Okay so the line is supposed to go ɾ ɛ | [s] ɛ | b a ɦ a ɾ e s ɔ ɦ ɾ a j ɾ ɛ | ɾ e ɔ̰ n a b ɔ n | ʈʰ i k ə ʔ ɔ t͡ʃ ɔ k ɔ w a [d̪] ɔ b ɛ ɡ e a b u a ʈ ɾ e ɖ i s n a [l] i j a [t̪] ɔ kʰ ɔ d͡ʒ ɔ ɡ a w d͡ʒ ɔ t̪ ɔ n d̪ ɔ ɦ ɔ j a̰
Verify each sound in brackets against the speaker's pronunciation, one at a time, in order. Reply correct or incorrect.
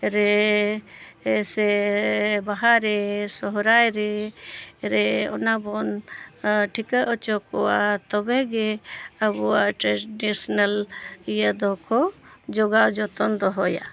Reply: correct, incorrect, correct, incorrect

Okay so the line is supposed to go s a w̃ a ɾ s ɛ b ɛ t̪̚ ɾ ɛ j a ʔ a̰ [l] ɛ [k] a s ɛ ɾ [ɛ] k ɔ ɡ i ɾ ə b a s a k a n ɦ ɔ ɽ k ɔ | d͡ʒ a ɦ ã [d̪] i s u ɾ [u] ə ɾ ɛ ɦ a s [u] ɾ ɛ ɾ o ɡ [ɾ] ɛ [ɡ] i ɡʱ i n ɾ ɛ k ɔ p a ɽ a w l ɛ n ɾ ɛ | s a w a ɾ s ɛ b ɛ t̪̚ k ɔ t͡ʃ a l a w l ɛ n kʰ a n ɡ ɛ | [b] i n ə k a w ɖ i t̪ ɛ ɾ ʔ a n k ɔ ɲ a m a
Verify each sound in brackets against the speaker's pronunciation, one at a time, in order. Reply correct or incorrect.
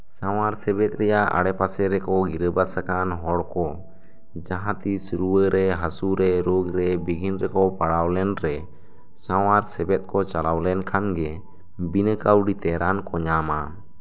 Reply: incorrect, incorrect, correct, incorrect, correct, correct, correct, incorrect, correct

